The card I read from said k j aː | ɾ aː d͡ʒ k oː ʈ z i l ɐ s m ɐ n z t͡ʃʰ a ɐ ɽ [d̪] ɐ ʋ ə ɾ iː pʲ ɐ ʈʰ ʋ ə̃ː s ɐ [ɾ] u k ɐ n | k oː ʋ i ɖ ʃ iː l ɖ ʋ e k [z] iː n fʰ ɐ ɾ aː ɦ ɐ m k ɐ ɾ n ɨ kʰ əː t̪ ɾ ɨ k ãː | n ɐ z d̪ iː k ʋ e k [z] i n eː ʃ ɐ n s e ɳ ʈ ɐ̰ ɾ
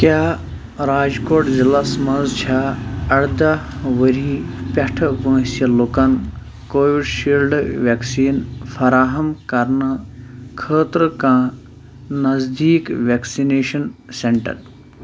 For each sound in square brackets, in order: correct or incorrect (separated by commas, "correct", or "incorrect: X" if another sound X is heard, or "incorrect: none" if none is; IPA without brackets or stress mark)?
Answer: correct, incorrect: l, incorrect: s, incorrect: s